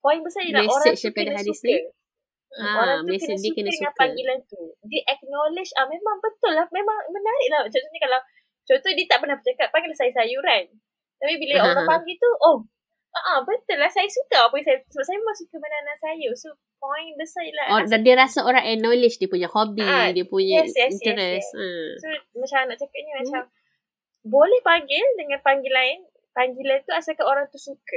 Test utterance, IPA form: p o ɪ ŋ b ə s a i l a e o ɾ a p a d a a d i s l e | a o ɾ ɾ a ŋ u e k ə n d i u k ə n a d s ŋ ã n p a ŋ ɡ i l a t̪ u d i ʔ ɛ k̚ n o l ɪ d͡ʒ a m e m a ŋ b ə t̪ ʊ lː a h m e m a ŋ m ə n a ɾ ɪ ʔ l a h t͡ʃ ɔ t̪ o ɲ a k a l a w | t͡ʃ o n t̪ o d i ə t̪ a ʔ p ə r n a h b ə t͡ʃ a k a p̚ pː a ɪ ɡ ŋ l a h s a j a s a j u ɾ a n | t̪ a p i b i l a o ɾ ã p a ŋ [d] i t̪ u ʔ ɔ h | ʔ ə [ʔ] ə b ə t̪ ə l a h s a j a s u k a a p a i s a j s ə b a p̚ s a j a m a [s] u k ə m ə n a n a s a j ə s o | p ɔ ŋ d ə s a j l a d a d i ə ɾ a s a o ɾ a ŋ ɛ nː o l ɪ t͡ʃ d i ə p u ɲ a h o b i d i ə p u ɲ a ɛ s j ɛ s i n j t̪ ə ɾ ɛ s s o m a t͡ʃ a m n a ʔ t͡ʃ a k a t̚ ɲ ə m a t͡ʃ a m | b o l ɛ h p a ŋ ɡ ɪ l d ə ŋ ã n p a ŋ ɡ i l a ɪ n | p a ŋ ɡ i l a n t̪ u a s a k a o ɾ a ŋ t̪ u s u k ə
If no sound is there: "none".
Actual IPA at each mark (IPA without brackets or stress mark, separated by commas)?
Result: ɡ, ʔ, s